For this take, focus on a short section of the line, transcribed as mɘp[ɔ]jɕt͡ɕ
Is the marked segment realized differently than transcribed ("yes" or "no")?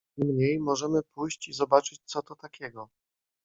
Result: yes